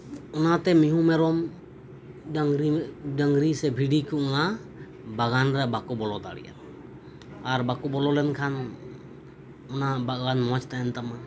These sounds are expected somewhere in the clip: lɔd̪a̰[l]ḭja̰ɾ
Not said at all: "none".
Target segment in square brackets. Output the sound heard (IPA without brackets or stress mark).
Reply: ɽ